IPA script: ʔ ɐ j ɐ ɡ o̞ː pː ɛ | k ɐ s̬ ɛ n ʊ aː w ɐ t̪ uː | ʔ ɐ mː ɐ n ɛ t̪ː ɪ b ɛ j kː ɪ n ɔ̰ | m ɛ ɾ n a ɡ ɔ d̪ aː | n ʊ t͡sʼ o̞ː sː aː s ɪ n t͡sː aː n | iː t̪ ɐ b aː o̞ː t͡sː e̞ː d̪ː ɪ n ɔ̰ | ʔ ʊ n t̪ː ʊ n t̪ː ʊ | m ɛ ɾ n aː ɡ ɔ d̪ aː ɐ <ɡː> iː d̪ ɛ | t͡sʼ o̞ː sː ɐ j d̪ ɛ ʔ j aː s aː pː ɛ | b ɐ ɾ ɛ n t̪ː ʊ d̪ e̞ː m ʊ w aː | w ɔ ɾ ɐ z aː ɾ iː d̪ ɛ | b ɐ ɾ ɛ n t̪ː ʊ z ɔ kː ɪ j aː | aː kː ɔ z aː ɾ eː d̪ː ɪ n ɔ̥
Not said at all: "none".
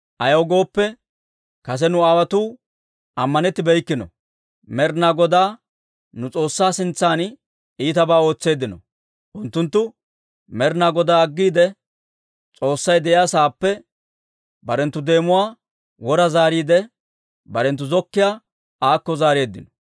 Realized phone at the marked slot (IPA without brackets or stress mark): ɡː